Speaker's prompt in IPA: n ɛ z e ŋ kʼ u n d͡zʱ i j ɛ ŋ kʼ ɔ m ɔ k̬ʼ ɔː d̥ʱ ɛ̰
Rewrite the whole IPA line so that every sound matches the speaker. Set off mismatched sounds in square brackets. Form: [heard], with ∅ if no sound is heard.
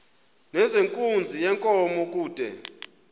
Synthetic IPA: n ɛ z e ŋ kʼ u n d͡zʱ i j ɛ ŋ kʼ ɔ m ɔ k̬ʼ [uː] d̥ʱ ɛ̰